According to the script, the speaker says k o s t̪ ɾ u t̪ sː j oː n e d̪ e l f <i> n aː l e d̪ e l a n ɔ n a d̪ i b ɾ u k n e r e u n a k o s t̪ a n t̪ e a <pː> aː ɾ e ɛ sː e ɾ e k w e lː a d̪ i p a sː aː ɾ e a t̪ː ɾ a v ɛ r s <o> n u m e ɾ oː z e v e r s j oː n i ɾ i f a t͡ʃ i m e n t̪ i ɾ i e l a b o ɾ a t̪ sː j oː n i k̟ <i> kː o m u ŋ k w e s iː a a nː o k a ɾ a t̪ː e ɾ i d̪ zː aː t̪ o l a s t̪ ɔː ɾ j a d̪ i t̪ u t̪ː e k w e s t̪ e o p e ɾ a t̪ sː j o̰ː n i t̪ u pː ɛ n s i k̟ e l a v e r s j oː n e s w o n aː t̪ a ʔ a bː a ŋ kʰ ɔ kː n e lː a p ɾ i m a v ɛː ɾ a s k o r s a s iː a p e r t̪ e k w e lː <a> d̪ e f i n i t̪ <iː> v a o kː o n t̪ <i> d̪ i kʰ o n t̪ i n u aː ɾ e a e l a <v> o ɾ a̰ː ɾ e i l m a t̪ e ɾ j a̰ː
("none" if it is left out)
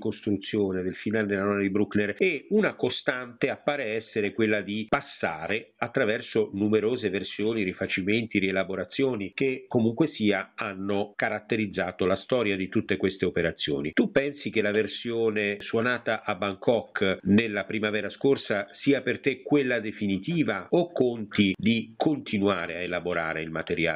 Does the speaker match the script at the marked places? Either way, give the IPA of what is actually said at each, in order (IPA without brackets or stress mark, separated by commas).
i, pː, o, e, a, iː, i, b